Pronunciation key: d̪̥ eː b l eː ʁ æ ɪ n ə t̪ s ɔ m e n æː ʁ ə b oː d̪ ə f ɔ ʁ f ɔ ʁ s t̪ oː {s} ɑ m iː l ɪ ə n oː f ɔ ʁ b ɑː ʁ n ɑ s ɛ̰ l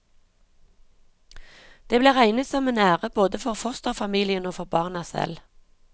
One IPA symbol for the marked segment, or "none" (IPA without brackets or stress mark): f